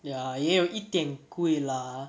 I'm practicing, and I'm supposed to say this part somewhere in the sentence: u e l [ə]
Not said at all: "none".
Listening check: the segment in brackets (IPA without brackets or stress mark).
a